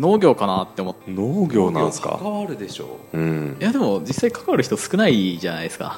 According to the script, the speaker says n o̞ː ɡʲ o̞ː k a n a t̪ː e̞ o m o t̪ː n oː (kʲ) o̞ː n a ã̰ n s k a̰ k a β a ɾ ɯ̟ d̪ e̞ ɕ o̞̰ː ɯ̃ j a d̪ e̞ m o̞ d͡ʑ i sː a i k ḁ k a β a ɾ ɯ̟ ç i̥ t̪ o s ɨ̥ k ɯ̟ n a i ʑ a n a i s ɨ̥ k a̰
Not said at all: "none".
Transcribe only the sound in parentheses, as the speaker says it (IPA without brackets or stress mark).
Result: ɡʲ